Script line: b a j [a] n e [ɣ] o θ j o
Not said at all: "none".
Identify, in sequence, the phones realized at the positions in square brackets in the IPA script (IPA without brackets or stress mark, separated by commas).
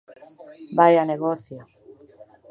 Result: a, ɣ